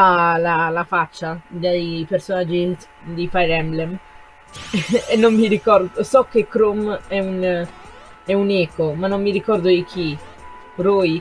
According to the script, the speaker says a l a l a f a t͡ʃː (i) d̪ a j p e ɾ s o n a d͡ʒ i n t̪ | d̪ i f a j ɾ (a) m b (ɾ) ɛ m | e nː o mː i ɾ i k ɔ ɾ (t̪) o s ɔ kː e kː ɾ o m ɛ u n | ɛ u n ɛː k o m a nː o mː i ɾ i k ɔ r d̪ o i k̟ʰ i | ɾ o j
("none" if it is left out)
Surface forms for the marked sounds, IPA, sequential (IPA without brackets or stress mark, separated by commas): a, ɛ, l, d̪